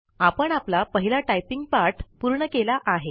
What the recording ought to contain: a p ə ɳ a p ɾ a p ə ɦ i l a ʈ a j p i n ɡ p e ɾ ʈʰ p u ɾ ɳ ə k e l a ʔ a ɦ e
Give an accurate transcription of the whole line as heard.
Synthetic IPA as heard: a p ə ɳ a p l a p ə ɦ i l a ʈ a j p i ŋ ɡ p a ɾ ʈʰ p u ɾ ɳ ə k e l a ʔ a ɦ e